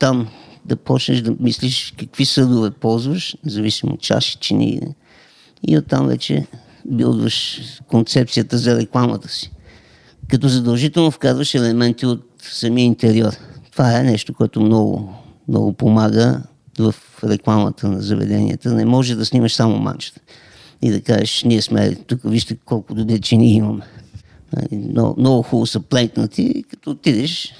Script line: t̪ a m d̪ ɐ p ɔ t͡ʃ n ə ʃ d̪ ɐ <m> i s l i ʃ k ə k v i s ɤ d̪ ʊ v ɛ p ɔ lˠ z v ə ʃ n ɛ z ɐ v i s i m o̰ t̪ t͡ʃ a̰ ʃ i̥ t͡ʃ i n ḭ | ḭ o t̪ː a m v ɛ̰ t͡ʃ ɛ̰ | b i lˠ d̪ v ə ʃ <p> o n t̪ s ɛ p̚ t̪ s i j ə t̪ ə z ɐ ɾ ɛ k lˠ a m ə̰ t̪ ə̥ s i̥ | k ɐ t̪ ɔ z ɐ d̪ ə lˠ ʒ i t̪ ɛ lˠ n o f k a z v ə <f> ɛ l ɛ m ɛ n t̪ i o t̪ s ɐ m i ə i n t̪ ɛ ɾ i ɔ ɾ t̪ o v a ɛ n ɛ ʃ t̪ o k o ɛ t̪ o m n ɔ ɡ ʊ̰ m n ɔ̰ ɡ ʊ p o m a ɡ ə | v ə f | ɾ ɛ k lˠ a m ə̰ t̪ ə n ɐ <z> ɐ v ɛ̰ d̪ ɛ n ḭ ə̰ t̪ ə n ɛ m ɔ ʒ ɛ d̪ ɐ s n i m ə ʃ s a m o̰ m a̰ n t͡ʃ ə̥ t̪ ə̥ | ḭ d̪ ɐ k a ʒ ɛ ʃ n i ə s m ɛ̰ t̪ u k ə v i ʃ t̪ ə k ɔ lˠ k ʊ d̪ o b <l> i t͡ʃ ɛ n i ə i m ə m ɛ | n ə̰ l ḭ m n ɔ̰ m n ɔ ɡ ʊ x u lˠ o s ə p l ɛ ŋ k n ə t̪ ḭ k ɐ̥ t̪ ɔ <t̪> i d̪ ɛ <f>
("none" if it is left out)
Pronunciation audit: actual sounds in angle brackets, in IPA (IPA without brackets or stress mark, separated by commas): m, k, ʃ, z, ɾ, t̪, ʃ